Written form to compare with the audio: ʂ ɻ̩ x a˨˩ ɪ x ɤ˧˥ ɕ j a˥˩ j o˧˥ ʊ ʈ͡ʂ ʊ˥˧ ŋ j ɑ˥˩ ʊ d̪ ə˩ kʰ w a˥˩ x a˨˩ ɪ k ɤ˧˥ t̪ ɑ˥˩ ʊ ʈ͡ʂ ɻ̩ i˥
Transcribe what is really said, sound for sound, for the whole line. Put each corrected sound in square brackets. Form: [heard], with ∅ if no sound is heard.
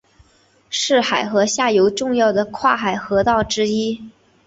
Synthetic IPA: ʂ ɻ̩ x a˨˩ ɪ x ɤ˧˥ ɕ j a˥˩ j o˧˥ ʊ ʈ͡ʂ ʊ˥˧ ŋ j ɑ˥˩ ʊ d̪ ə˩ kʰ w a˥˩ x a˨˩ ɪ [x] ɤ˧˥ t̪ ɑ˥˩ ʊ ʈ͡ʂ ɻ̩ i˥

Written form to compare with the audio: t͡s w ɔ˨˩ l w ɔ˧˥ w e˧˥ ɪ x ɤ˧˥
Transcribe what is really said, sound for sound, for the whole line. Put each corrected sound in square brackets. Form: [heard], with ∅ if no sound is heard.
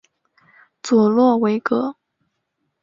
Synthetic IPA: t͡s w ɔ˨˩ l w [ɔ˥˩] w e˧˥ ɪ [k] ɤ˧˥

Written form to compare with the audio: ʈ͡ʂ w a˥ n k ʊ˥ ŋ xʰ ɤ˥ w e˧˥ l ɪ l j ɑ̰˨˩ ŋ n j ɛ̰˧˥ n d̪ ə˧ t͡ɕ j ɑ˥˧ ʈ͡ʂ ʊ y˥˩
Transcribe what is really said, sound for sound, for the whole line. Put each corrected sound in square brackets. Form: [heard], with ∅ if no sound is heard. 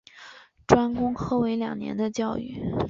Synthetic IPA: ʈ͡ʂ w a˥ n k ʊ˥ ŋ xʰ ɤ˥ w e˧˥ [∅] ɪ l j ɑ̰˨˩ ŋ n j ɛ̰˧˥ n d̪ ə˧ t͡ɕ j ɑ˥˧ [∅] ʊ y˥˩

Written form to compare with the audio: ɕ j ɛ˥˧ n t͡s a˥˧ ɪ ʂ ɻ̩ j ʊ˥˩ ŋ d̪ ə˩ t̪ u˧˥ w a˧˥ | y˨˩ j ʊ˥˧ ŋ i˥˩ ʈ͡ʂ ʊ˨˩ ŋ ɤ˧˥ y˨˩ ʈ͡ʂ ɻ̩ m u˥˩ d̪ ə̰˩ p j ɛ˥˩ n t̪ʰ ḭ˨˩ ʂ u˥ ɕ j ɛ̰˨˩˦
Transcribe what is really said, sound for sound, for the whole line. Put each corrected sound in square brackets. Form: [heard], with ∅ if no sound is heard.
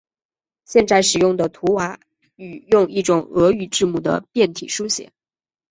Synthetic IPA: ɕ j ɛ˥˧ n t͡s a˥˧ ɪ ʂ ɻ̩ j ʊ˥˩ ŋ d̪ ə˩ [t̪ʰ] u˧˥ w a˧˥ | y˨˩ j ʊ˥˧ ŋ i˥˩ ʈ͡ʂ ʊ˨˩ ŋ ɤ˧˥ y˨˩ ʈ͡ʂ ɻ̩ m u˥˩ d̪ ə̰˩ p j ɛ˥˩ n t̪ʰ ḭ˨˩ ʂ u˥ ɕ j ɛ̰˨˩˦

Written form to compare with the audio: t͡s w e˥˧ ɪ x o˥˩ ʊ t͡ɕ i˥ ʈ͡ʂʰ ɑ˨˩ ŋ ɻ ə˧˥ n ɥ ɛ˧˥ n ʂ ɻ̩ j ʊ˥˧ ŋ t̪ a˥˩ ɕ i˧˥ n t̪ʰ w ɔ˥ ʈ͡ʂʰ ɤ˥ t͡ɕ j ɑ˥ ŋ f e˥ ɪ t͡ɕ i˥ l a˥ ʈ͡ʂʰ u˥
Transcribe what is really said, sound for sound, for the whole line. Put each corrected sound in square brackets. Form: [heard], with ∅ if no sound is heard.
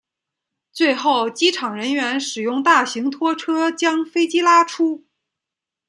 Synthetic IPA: t͡s w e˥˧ ɪ x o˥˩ ʊ t͡ɕ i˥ ʈ͡ʂʰ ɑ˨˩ ŋ ɻ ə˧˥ n ɥ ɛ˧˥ n ʂ ɻ̩ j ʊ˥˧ ŋ t̪ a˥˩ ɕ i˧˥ [ŋ] t̪ʰ w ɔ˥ ʈ͡ʂʰ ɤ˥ t͡ɕ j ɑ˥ ŋ f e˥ ɪ t͡ɕ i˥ l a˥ ʈ͡ʂʰ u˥

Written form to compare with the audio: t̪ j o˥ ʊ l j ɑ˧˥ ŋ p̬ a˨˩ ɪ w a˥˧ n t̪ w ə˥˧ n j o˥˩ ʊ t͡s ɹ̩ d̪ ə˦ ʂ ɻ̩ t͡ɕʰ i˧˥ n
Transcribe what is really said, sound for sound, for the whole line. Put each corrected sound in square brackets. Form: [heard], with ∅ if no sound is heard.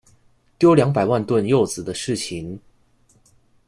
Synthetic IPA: t̪ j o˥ ʊ l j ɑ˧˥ ŋ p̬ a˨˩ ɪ w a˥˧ n t̪ w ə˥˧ n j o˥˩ ʊ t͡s ɹ̩ d̪ ə˦ ʂ ɻ̩ t͡ɕʰ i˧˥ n

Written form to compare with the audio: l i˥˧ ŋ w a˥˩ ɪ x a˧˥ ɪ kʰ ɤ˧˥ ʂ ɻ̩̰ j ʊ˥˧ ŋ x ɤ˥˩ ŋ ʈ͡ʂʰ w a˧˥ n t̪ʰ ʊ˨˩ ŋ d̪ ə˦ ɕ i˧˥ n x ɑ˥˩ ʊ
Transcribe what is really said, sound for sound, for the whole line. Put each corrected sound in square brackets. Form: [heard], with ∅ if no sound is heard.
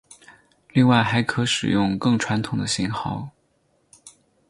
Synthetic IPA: l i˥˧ ŋ w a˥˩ ɪ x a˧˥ ɪ kʰ ɤ˧˥ ʂ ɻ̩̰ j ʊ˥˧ ŋ [k] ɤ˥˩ ŋ ʈ͡ʂʰ w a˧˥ n t̪ʰ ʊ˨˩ ŋ d̪ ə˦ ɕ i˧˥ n x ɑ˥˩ ʊ

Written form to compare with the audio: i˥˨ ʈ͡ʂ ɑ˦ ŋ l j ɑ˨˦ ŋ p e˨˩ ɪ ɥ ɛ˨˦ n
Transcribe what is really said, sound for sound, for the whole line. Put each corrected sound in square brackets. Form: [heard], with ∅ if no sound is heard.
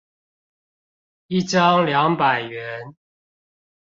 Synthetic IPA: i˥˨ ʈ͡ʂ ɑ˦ ŋ l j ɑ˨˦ ŋ p [a˨˩] ɪ ɥ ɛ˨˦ n

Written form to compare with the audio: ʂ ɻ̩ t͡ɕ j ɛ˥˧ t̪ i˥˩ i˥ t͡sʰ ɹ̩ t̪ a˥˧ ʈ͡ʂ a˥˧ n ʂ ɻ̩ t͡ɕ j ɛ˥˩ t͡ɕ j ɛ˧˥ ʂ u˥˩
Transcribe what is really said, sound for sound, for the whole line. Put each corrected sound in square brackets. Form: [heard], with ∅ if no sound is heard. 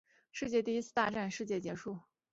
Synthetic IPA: ʂ ɻ̩ t͡ɕ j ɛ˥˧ t̪ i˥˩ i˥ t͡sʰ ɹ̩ t̪ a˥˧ ʈ͡ʂ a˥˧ n ʂ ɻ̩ t͡ɕ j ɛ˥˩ t͡ɕ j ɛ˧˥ ʂ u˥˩

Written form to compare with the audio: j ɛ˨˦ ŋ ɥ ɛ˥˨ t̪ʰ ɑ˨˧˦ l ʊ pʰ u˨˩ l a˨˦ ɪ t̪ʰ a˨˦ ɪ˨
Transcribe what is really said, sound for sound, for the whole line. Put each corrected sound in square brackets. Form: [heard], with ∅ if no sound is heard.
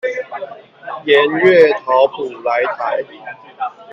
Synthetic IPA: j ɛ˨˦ [n] ɥ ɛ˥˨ t̪ʰ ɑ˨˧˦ [∅] ʊ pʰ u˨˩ l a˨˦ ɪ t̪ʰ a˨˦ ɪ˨

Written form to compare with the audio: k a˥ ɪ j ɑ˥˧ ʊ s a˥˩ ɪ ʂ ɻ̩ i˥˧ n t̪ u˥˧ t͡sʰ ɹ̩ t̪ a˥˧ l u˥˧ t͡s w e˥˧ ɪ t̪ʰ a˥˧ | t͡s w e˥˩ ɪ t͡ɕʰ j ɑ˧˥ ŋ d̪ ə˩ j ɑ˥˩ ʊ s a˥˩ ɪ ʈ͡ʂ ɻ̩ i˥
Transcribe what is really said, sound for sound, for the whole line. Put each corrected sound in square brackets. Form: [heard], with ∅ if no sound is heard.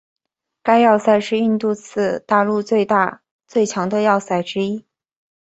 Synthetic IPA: k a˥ ɪ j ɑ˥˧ ʊ s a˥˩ ɪ ʂ ɻ̩ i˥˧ n t̪ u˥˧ t͡sʰ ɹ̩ t̪ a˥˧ l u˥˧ t͡s w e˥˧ ɪ [t̪] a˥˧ | t͡s w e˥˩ ɪ t͡ɕʰ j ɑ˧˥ ŋ d̪ [ə˧] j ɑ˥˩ ʊ s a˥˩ ɪ ʈ͡ʂ ɻ̩ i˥

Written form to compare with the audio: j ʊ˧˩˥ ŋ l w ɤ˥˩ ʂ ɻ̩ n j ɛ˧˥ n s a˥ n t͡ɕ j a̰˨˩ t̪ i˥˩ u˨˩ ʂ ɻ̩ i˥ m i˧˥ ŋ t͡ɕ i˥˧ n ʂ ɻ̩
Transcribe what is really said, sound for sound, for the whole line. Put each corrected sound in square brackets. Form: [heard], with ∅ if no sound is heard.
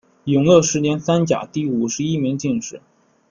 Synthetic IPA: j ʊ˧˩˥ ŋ l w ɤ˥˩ ʂ ɻ̩ n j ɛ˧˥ n s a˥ n t͡ɕ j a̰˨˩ t̪ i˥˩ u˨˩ ʂ ɻ̩ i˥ m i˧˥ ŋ t͡ɕ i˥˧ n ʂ ɻ̩

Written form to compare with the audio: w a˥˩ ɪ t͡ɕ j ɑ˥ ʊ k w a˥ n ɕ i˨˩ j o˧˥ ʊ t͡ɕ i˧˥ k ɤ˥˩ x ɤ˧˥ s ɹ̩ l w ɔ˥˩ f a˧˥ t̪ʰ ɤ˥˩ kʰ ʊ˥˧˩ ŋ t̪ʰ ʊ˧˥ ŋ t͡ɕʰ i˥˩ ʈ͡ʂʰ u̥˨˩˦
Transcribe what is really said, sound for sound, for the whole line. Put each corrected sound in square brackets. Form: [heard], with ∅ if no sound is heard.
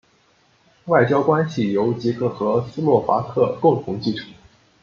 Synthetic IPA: w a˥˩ ɪ t͡ɕ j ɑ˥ ʊ k w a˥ n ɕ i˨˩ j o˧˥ ʊ t͡ɕ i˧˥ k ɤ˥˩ x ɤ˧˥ s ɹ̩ l w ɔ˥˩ f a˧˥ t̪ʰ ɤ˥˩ [k] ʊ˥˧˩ ŋ t̪ʰ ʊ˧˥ ŋ [t͡ɕ] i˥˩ ʈ͡ʂʰ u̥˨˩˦

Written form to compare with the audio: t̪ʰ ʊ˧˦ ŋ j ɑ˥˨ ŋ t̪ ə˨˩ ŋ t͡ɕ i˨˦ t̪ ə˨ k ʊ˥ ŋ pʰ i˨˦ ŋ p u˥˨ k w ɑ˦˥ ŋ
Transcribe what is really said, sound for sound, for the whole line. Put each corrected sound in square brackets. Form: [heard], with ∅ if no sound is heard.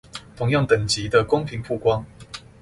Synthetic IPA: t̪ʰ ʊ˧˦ ŋ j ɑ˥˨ ŋ t̪ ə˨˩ ŋ t͡ɕ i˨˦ [d̪] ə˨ k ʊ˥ ŋ pʰ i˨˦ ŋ [pʰ] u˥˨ k w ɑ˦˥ ŋ

